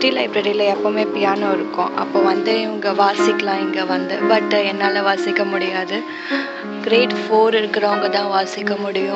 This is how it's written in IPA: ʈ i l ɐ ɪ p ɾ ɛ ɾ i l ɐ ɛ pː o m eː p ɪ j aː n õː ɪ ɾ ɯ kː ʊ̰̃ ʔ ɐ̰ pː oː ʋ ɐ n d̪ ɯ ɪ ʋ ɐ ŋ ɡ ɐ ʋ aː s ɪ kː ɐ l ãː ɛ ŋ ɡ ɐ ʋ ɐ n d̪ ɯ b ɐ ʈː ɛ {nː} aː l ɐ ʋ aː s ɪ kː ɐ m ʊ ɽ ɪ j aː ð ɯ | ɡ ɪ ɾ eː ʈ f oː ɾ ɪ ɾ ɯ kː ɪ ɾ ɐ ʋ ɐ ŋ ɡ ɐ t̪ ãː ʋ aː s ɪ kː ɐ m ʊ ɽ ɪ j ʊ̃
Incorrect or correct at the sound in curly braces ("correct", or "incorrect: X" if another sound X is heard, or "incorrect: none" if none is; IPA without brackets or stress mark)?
correct